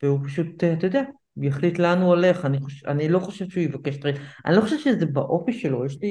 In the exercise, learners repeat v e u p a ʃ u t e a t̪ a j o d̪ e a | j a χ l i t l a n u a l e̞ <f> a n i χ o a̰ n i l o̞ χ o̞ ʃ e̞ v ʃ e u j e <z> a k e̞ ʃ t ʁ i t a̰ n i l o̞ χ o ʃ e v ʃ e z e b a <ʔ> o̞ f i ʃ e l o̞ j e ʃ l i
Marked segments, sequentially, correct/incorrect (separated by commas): incorrect, incorrect, correct